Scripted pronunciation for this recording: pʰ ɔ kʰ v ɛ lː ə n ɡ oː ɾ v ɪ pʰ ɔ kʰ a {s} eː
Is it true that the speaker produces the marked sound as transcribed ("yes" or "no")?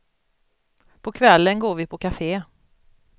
no